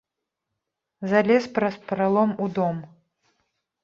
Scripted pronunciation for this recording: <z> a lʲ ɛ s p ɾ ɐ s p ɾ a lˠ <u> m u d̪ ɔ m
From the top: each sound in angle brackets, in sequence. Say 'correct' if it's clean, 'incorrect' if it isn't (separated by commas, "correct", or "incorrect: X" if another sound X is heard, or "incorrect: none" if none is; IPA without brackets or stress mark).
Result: correct, incorrect: ɔ